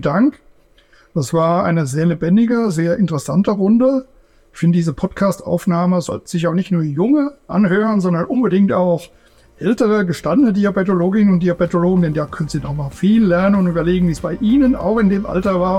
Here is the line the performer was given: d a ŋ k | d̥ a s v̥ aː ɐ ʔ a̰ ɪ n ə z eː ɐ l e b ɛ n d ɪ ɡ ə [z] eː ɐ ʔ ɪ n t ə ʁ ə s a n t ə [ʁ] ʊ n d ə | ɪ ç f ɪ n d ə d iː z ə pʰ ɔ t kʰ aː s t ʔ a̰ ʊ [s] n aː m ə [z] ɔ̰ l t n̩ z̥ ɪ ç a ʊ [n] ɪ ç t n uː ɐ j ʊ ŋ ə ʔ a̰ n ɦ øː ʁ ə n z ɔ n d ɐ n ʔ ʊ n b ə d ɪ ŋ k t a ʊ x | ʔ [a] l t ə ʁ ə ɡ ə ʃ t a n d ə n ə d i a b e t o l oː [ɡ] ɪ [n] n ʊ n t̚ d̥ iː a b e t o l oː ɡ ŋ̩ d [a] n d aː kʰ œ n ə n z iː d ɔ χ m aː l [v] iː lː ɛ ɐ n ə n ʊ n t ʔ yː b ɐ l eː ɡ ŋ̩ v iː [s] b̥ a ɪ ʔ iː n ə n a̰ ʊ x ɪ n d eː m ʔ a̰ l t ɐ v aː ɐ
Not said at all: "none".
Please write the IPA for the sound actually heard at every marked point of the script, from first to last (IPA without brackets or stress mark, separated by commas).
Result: z, ʁ, f, z, n, ɛ, ɡ, n, ɛ, f, s